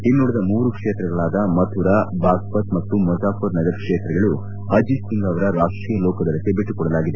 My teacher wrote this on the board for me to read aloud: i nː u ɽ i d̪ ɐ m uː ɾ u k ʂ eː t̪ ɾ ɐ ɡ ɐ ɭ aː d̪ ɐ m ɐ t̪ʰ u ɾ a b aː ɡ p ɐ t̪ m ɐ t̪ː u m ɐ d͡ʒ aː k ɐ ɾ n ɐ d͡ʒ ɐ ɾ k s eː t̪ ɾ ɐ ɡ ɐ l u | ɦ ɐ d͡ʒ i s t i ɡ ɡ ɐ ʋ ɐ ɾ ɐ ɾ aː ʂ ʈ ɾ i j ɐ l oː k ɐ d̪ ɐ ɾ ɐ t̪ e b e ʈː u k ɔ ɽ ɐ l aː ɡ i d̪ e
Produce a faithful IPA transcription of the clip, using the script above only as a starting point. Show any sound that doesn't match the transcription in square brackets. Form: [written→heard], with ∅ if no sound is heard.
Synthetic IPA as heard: i nː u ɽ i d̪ ɐ m uː ɾ u k ʂ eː t̪ ɾ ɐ ɡ ɐ ɭ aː d̪ ɐ m ɐ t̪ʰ u ɾ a b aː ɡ p ɐ t̪ m ɐ t̪ː u m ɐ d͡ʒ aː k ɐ ɾ n ɐ d͡ʒ ɐ ɾ k [s→ʂ] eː t̪ ɾ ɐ ɡ ɐ [l→ɭ] u | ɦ ɐ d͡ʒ i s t i [ɡ→ŋ] ɡ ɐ ʋ ɐ ɾ ɐ ɾ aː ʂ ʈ ɾ i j ɐ l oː k ɐ d̪ ɐ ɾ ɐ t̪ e b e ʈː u k ɔ ɽ ɐ l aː ɡ i d̪ e